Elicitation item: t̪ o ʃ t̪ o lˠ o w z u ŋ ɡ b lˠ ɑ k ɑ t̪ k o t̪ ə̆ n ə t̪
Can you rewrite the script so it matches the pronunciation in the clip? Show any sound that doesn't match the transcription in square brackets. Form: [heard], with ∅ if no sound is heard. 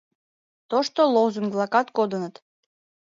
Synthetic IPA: t̪ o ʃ t̪ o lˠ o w z u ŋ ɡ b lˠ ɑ k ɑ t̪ k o [d̪] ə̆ n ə t̪